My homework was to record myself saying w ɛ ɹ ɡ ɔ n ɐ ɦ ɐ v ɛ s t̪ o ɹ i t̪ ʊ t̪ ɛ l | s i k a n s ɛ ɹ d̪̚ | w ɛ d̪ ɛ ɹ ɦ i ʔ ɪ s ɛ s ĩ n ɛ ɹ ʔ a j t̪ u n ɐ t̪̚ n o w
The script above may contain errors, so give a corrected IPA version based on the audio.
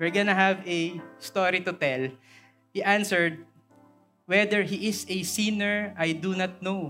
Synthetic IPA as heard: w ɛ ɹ ɡ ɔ n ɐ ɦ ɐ v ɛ s t̪ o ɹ i t̪ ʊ t̪ ɛ l | h i ʔ a n s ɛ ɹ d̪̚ | w ɛ d̪ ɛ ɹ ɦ i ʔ ɪ s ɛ s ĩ n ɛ ɹ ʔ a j d̪ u n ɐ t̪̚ n o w